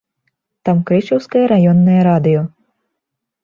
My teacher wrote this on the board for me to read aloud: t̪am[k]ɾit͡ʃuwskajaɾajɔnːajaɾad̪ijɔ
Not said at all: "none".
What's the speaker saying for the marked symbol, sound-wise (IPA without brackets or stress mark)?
k